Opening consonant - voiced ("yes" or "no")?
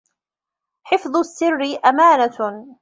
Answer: no